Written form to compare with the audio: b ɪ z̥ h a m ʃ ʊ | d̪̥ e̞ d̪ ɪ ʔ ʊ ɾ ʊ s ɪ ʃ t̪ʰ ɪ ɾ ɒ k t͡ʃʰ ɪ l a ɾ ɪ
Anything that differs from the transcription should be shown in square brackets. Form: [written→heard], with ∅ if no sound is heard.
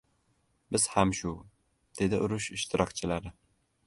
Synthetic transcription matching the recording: b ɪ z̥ h a m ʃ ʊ | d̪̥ e̞ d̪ ɪ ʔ ʊ ɾ ʊ [s→ʃ] ɪ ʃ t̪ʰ ɪ ɾ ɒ k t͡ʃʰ ɪ l a ɾ ɪ